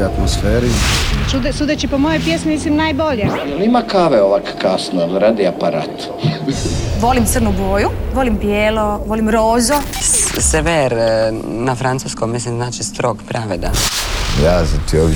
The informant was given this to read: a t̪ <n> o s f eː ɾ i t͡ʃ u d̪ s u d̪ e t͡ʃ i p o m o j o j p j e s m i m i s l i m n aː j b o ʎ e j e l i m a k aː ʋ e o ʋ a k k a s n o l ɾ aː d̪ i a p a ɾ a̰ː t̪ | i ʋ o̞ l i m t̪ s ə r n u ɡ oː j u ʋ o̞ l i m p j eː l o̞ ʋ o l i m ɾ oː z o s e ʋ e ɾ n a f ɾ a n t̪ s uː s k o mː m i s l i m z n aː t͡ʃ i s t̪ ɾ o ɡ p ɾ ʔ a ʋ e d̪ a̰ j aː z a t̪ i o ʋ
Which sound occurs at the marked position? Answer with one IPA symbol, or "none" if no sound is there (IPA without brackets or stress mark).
m